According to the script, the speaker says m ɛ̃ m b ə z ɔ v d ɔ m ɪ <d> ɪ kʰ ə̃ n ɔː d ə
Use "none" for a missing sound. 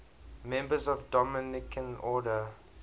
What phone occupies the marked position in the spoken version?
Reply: n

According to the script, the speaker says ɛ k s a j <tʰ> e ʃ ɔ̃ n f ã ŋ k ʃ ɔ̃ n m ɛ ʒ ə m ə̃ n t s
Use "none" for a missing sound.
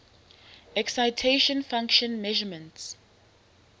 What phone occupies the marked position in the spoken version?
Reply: tʰ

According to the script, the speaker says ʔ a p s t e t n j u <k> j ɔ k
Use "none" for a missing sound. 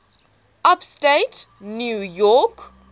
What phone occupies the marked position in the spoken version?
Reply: none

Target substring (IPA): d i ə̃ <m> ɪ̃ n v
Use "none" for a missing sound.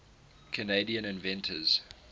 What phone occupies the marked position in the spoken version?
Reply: n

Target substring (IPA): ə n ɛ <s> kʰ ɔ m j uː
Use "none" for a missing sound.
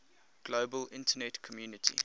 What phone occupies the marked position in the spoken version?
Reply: t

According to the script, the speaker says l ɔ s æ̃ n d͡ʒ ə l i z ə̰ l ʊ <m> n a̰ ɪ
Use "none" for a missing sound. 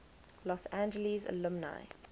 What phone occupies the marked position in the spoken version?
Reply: m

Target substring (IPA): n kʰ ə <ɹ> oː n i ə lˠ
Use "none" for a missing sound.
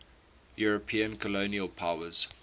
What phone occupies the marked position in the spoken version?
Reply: l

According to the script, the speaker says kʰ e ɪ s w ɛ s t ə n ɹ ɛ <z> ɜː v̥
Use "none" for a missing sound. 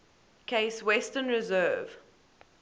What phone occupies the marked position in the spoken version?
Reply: z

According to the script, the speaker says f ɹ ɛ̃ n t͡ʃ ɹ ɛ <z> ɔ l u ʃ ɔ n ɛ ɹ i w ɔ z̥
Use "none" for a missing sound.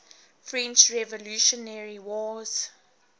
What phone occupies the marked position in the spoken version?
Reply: v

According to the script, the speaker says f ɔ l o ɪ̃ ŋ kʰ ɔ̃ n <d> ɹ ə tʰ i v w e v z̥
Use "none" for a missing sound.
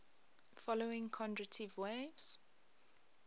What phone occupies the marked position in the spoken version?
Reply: d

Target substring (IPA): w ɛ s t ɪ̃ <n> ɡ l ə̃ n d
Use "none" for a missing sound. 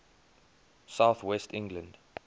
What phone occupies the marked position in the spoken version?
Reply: ŋ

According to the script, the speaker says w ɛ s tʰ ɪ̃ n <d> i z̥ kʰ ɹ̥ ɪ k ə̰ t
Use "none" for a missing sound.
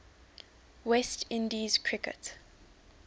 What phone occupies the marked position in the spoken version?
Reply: d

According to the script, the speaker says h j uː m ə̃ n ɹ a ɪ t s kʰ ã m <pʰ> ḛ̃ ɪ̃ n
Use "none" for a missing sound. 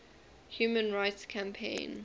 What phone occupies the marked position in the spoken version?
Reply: pʰ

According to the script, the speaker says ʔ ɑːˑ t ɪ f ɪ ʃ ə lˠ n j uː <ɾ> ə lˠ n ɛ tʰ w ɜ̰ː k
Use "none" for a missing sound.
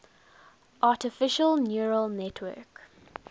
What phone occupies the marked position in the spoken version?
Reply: ɹ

